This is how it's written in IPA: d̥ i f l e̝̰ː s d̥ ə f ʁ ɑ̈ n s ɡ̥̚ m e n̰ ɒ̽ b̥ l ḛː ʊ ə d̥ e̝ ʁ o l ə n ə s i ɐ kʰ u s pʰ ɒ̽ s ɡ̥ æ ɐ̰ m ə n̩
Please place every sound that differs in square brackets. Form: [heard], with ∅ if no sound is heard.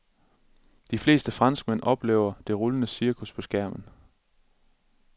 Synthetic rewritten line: d̥ i f l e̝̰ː s d̥ ə f ʁ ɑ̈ n s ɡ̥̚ m e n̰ ɒ̽ b̥ l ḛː ʊ [ɐ] d̥ e̝ ʁ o l ə n ə s i ɐ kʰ u s pʰ ɒ̽ s ɡ̥ æ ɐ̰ m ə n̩